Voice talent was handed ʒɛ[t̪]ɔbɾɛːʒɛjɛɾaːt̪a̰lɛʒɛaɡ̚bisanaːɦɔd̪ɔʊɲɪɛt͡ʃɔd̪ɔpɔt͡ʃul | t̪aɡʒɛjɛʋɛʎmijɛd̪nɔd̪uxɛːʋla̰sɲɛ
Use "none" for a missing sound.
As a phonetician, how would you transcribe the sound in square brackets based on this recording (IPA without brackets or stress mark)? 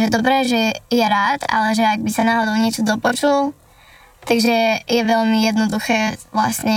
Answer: d̪